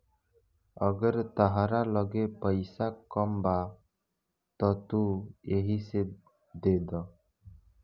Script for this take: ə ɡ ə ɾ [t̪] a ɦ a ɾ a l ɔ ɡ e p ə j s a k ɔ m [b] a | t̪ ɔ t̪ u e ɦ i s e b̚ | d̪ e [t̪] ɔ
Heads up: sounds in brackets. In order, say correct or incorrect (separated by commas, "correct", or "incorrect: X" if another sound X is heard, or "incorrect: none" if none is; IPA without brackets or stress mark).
correct, correct, incorrect: d̪